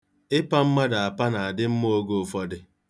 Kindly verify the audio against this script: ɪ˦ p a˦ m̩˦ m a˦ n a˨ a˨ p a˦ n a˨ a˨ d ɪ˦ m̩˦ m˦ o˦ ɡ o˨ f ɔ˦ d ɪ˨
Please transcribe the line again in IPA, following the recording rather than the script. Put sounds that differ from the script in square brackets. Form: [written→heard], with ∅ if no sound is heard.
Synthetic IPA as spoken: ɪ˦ p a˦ m̩˦ m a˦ [n→d] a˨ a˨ p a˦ n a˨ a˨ d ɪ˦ m̩˦ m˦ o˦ ɡ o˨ f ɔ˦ d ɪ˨